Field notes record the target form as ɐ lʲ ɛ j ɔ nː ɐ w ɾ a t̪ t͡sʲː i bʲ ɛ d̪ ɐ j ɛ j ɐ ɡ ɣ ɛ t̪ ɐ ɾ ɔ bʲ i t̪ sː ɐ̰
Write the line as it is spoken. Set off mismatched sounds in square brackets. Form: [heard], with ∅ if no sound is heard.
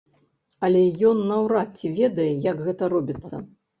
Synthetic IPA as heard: ɐ lʲ ɛ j ɔ nː ɐ w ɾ a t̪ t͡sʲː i [vʲ] ɛ d̪ ɐ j ɛ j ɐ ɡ ɣ ɛ t̪ ɐ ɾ ɔ bʲ i t̪ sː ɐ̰